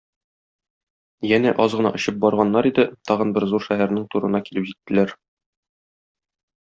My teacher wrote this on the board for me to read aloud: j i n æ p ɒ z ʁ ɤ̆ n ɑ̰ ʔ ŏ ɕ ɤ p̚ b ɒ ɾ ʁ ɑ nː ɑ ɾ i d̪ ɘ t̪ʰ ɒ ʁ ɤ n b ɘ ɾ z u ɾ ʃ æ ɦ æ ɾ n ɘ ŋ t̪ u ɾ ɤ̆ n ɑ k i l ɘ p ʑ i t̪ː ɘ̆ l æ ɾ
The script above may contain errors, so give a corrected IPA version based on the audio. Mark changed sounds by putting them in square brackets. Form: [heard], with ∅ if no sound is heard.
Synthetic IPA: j [æ] n æ [ʔ] ɒ z ʁ ɤ̆ n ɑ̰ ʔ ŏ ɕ ɤ p̚ b ɒ ɾ ʁ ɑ nː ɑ ɾ i d̪ ɘ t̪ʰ ɒ ʁ ɤ n b ɘ ɾ z u ɾ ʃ æ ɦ æ ɾ n ɘ ŋ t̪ u ɾ ɤ̆ n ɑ k i l ɘ p ʑ i t̪ː ɘ̆ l æ ɾ